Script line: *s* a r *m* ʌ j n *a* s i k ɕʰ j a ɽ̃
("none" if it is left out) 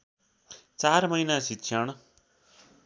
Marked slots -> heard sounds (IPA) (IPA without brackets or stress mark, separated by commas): t͡s, m, a